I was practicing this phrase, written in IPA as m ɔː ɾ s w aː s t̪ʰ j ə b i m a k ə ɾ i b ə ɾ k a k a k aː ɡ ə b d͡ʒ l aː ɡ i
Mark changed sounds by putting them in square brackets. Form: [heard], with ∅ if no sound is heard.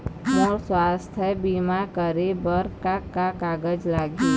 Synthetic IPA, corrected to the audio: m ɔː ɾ s w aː s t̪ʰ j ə b i m a k ə ɾ [e] b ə ɾ k a k a k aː ɡ ə [∅] d͡ʒ l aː ɡ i